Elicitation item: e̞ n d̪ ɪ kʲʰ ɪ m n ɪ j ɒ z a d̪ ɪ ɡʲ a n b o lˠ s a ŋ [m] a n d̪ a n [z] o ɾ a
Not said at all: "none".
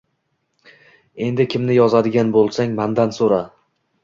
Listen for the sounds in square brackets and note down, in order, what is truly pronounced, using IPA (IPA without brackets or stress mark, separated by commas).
m, s